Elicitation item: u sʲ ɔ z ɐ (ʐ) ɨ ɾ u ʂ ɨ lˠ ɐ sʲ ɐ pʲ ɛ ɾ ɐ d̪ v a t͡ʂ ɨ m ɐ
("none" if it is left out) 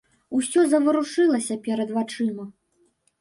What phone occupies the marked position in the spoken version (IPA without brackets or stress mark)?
v